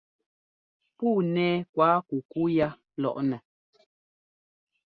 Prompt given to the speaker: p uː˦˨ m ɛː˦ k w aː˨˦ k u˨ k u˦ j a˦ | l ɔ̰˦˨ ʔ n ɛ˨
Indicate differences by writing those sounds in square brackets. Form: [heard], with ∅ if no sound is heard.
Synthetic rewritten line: p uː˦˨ [n] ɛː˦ k w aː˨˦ k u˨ k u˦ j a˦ | l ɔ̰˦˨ ʔ n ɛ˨

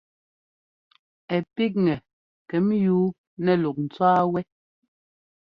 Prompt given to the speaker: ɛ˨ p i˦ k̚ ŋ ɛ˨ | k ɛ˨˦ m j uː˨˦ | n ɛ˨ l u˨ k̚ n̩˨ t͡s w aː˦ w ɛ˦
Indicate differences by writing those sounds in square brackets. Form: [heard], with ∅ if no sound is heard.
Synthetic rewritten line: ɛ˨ p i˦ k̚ ŋ ɛ˨ | k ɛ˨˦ m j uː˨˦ | n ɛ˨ l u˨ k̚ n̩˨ t͡s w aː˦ w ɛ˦

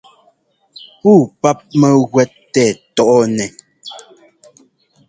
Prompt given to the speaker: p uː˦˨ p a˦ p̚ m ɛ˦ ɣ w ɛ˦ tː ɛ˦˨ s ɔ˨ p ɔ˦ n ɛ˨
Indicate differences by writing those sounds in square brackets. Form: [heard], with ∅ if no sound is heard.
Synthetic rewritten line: p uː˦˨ p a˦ p̚ m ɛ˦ ɣ w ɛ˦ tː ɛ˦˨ [t] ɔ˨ [ʔ] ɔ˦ n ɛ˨

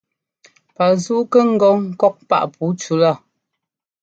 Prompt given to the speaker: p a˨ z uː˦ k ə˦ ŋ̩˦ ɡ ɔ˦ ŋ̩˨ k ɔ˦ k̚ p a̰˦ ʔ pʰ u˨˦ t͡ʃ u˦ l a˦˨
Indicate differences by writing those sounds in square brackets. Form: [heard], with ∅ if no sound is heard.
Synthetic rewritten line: p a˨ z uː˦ k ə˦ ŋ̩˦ ɡ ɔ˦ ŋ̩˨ k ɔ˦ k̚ p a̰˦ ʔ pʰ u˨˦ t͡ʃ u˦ l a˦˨

